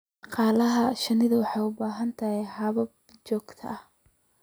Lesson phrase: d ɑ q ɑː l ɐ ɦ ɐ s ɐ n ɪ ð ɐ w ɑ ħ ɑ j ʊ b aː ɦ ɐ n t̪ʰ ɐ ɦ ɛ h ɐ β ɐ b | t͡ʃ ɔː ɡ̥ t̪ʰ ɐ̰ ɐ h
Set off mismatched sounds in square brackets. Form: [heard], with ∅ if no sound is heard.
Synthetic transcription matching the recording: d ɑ q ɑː l ɐ ɦ ɐ [ʃ] ɐ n ɪ ð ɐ w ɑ ħ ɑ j ʊ b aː ɦ ɐ n t̪ʰ ɐ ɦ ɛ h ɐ β ɐ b | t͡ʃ ɔː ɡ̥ t̪ʰ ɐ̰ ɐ h